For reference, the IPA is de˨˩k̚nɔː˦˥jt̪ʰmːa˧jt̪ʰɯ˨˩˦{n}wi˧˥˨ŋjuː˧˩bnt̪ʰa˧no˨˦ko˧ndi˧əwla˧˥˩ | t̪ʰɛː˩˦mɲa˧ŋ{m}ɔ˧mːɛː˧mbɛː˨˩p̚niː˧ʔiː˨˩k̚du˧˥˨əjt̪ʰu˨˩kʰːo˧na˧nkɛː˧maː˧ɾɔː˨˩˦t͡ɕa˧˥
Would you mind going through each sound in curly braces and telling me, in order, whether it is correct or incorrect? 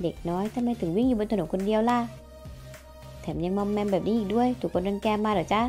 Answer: incorrect, correct

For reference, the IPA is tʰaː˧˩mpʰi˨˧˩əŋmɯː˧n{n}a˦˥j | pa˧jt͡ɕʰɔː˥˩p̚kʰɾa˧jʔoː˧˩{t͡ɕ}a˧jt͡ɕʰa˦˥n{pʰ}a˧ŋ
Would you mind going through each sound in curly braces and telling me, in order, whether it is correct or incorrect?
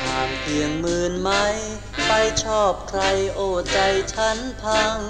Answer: incorrect, correct, correct

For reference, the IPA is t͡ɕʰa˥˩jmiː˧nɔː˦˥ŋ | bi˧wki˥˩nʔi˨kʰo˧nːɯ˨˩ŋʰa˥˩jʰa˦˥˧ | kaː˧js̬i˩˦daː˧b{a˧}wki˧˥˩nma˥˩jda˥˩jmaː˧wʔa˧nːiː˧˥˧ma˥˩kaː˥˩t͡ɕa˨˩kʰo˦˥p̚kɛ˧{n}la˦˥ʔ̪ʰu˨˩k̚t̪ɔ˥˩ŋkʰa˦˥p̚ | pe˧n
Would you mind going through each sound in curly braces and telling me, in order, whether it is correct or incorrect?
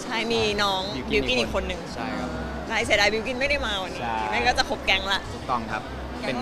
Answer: incorrect, incorrect

